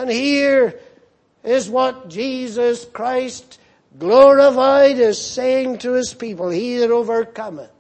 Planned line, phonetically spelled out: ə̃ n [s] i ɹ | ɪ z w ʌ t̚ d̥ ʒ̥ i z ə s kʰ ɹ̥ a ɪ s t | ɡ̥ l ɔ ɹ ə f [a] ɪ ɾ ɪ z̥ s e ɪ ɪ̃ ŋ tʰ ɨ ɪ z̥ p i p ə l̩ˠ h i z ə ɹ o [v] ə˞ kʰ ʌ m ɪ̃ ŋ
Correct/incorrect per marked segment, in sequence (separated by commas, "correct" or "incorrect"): incorrect, correct, correct